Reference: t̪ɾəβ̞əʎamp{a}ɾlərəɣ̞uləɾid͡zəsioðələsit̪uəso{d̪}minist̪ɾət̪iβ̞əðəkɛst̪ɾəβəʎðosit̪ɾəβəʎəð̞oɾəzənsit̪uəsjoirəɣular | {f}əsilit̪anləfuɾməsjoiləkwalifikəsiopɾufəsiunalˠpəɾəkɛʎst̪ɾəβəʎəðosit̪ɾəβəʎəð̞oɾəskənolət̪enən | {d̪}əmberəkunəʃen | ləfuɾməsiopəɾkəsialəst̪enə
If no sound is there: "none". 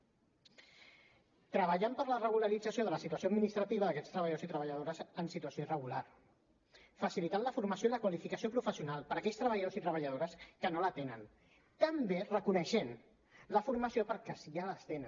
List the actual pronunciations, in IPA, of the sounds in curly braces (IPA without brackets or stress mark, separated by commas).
ə, d̪, f, t̪